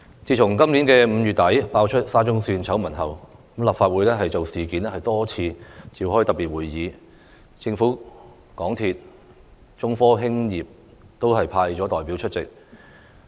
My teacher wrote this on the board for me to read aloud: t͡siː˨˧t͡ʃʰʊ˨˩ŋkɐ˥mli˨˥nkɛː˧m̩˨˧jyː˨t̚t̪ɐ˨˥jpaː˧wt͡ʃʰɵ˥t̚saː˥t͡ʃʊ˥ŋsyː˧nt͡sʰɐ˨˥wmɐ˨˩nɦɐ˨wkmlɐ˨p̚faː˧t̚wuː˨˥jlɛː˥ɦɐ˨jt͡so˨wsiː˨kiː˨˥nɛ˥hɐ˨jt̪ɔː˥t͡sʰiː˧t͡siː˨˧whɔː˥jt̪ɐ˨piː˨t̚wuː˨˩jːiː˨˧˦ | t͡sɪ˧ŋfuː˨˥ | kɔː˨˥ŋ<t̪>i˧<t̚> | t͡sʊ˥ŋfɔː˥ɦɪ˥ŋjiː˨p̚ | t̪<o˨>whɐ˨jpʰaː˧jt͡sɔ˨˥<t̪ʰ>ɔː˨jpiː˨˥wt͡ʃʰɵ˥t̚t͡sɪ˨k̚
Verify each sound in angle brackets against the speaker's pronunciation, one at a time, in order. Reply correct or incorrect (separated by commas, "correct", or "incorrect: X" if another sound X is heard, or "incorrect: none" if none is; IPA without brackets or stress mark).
incorrect: t̪ʰ, correct, incorrect: o˥, incorrect: t̪